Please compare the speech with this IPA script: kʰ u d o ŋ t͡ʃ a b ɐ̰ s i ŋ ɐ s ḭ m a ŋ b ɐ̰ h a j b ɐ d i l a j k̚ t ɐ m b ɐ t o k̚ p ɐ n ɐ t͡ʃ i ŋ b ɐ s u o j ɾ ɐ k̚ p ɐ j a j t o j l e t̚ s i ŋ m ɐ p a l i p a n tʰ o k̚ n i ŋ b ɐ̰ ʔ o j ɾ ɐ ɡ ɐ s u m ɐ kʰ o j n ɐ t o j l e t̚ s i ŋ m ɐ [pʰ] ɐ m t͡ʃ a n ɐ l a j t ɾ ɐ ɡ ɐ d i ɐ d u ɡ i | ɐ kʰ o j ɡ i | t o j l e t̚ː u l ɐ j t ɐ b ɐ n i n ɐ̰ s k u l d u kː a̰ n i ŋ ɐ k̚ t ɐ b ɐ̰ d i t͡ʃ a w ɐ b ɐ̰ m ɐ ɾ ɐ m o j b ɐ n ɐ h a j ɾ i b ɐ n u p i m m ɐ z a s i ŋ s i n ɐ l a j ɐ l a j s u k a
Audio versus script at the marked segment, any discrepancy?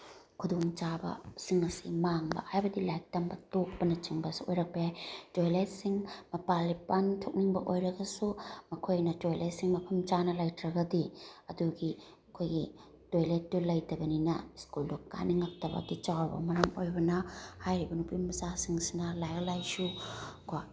no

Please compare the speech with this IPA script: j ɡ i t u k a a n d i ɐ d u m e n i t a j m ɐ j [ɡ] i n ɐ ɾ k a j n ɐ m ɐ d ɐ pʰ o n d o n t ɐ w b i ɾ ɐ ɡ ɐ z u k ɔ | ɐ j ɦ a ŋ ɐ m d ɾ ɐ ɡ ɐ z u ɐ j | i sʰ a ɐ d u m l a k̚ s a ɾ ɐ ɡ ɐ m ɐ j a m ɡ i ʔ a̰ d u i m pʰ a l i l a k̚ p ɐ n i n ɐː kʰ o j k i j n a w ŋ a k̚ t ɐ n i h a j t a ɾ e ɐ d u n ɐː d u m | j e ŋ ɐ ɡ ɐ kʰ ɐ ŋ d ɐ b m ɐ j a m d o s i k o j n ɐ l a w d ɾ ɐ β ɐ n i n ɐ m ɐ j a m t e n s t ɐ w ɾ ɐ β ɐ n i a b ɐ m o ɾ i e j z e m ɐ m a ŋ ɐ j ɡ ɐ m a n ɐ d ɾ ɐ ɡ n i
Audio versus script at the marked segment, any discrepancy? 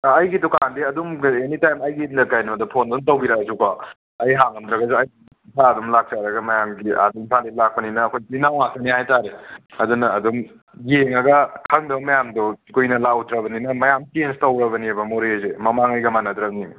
no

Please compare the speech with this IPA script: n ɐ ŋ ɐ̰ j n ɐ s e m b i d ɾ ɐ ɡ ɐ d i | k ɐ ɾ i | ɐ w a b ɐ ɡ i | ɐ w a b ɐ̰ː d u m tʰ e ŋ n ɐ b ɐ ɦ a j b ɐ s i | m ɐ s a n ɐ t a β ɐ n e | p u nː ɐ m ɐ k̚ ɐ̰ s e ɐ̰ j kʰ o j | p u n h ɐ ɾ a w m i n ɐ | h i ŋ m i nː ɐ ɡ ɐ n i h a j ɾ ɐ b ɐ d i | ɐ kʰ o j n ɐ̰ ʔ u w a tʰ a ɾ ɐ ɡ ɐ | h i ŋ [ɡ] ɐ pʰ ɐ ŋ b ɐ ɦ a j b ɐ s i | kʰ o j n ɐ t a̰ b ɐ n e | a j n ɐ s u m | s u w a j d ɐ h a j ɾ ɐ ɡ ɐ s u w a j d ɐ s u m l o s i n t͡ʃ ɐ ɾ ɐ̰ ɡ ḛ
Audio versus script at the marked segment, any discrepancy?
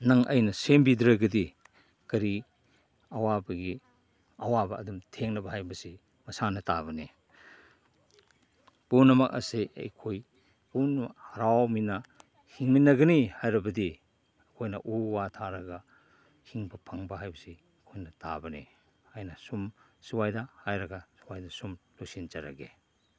yes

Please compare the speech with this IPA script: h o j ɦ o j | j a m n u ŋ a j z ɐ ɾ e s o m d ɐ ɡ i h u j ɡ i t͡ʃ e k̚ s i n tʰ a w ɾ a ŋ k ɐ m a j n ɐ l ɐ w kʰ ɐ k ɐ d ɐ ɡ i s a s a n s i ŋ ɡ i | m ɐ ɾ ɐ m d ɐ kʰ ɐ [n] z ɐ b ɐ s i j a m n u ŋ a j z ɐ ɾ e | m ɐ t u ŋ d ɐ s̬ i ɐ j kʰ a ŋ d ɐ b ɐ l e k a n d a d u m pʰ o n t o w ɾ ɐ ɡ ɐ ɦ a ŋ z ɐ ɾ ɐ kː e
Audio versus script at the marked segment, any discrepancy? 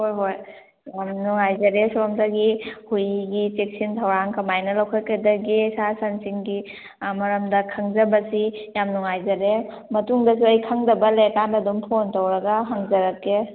yes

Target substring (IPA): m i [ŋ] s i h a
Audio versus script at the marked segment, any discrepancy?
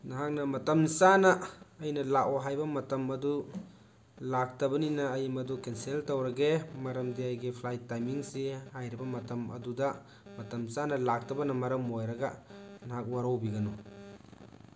no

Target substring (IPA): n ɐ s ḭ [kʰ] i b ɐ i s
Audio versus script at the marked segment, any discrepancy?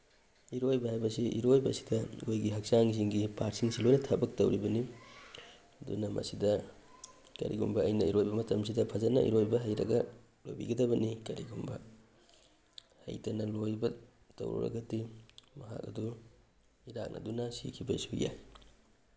no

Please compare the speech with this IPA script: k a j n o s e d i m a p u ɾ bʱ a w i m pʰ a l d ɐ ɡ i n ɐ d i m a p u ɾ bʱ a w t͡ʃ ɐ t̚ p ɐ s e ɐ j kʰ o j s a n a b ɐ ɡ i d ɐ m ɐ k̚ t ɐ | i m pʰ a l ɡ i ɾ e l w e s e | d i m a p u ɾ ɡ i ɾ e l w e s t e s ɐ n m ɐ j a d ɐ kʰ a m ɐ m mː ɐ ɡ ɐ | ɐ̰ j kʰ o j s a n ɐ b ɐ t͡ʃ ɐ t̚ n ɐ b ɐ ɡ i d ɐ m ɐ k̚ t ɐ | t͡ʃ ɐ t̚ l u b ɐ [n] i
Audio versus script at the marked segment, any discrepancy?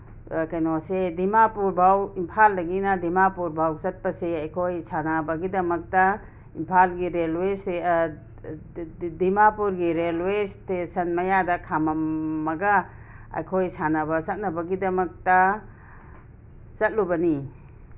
no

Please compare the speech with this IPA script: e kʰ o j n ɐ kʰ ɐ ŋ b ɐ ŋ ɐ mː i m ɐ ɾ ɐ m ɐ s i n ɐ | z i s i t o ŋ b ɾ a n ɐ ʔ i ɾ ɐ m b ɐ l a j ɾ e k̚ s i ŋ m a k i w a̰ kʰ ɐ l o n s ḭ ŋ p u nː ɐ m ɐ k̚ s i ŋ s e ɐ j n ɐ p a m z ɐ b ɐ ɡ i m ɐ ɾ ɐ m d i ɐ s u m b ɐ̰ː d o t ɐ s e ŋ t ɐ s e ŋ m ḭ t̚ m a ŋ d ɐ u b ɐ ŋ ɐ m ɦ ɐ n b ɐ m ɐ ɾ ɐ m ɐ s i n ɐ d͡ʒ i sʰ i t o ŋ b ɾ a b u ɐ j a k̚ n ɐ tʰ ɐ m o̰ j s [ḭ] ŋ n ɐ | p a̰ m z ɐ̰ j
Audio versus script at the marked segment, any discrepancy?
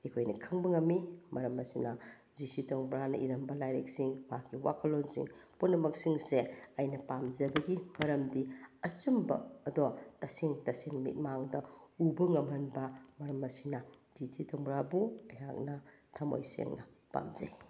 yes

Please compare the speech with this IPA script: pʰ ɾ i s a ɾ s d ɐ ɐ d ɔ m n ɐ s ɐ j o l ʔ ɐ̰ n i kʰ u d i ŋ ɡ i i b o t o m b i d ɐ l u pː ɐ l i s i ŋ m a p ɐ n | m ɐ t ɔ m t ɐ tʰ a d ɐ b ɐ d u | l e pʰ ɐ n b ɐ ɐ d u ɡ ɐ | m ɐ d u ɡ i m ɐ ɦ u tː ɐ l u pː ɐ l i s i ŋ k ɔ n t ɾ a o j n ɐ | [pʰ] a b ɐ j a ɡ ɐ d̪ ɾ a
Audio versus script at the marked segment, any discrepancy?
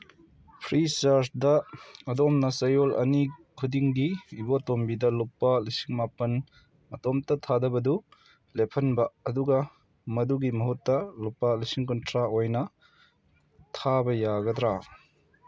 yes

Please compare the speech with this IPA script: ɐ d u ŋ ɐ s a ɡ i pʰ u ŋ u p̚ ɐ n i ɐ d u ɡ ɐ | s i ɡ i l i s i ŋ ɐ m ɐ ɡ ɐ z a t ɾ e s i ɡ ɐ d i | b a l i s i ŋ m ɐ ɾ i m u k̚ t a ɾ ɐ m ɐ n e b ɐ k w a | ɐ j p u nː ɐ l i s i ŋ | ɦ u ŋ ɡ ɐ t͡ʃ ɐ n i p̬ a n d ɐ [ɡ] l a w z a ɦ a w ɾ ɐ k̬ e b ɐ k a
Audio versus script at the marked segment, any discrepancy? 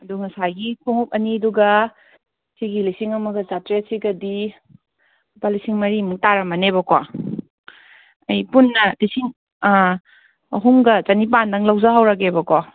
yes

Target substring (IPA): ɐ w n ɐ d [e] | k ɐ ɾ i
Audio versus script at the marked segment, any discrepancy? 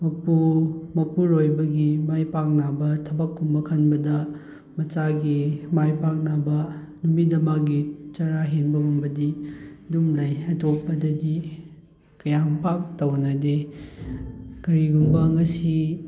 no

